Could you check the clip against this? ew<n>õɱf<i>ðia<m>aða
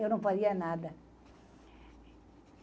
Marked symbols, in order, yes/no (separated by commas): yes, no, no